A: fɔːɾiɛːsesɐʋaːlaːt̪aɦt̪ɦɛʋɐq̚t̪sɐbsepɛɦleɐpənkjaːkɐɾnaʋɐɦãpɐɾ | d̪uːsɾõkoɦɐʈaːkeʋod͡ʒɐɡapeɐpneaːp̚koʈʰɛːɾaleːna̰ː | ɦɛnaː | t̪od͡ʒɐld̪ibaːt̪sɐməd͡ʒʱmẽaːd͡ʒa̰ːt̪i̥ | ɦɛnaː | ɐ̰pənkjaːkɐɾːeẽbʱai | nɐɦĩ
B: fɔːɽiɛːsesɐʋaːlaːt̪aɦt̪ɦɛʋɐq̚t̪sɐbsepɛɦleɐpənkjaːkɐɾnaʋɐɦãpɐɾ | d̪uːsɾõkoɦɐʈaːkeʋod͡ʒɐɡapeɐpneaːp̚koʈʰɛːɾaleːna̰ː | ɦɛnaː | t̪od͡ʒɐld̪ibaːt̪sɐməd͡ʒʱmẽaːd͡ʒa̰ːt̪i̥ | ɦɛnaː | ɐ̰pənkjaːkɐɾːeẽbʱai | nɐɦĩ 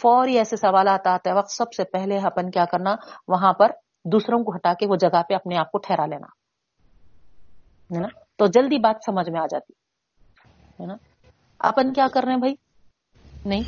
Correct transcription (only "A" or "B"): A